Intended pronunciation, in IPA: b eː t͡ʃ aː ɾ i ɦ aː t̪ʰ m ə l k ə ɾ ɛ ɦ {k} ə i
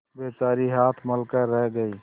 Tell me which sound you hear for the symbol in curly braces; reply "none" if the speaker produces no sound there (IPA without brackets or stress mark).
ɡ